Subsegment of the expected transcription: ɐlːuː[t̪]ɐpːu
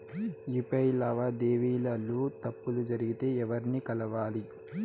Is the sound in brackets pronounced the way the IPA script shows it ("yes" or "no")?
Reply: yes